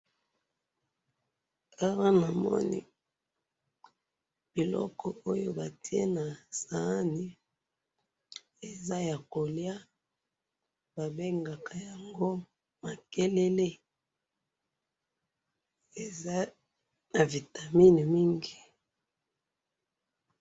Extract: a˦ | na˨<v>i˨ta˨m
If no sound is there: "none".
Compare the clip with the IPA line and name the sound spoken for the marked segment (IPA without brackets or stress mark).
v